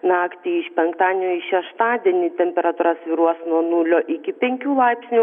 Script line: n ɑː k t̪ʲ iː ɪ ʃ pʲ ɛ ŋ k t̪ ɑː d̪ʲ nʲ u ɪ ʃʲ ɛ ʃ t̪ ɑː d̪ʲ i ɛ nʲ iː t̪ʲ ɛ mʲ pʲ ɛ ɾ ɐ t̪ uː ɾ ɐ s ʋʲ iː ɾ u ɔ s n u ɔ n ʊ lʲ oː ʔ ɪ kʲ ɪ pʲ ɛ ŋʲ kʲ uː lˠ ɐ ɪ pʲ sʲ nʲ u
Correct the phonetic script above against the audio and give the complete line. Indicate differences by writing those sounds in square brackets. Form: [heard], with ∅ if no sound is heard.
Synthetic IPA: n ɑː k t̪ʲ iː ɪ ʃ pʲ ɛ ŋ k t̪ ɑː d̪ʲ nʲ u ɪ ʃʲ ɛ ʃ t̪ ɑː d̪ʲ i ɛ nʲ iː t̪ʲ ɛ mʲ pʲ ɛ ɾ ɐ t̪ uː ɾ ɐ s ʋʲ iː ɾ u ɔ s n u ɔ n ʊ lʲ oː ʔ ɪ kʲ ɪ pʲ ɛ ŋʲ kʲ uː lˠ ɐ ɪ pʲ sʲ nʲ u